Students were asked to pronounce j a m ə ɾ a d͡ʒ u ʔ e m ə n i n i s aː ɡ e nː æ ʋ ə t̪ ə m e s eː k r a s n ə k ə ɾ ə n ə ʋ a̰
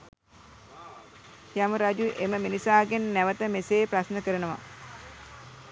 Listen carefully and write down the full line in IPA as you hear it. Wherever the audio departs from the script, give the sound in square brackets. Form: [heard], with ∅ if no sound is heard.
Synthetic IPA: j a m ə ɾ a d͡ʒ u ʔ e m ə [m] i n i s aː ɡ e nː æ ʋ ə t̪ ə m e s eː [p] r a s n ə k ə ɾ ə n ə ʋ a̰